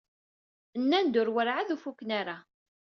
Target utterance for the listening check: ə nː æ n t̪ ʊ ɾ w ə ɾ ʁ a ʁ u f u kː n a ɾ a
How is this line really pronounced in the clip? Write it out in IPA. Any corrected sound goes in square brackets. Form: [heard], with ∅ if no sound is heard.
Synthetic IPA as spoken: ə nː æ n [d̪] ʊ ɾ w ə ɾ [ʕ] a [ð] u f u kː n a ɾ a